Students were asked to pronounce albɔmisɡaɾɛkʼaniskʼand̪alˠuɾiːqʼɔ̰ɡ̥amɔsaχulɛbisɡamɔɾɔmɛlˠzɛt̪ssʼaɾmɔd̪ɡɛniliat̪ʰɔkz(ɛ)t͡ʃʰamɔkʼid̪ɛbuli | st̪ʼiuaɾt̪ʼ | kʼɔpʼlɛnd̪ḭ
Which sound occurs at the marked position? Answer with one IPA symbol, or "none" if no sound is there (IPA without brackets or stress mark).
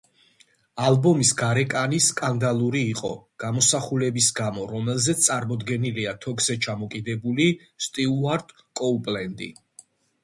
ɛ